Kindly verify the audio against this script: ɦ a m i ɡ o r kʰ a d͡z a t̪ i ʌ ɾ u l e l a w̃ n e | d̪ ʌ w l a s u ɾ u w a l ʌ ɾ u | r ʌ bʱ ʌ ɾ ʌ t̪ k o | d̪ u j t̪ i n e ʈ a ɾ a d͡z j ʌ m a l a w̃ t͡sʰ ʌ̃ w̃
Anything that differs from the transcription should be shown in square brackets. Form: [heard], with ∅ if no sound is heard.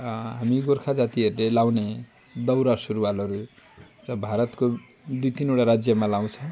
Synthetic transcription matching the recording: ɦ a m i ɡ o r kʰ a d͡z a t̪ i ʌ ɾ u l e l a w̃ n e | d̪ ʌ w [ɾ] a s u ɾ u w a l ʌ ɾ u | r ʌ bʱ [a] ɾ ʌ t̪ k o | d̪ u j t̪ i n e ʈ a ɾ a d͡z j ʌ m a l a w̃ t͡sʰ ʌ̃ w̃